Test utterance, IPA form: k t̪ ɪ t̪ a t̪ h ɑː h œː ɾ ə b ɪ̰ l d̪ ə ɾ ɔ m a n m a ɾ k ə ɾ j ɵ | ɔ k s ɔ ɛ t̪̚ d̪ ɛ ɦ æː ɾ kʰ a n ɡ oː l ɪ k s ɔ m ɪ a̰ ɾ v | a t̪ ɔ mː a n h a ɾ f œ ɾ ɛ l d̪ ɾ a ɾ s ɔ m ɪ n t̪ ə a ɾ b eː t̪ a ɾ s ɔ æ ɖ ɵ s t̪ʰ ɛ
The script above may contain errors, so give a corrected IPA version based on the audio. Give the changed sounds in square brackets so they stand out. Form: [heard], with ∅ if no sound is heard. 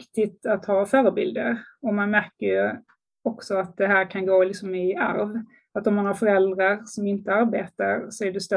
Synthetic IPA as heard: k t̪ ɪ t̪ a t̪ h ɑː [f] œː ɾ ə b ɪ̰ l d̪ ə ɾ ɔ m a n m [æ] ɾ k ə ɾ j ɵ | ɔ k s ɔ [a] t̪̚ d̪ ɛ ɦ æː ɾ kʰ a n ɡ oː l ɪ k s ɔ m ɪ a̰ ɾ v | a t̪ ɔ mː a n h a ɾ f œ ɾ ɛ l d̪ ɾ a ɾ s ɔ m ɪ n t̪ ə a ɾ b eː t̪ a ɾ s ɔ æ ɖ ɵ s [t̪] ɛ